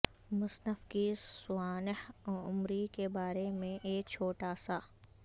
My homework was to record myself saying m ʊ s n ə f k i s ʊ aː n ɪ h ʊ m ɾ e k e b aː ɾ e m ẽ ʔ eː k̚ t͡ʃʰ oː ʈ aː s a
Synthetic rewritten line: m ʊ s n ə f k i s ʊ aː n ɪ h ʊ m ɾ i k e b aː ɾ e m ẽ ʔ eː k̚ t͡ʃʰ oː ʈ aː s a